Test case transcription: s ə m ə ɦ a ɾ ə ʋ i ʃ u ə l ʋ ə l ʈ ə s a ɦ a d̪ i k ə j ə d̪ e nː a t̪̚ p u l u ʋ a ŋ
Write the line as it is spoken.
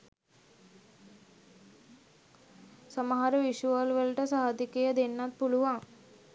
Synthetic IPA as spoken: s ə m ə ɦ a ɾ ə ʋ i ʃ u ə l ʋ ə l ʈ ə s a ɦ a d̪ i k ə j ə d̪ e nː a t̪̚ p u l u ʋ a ŋ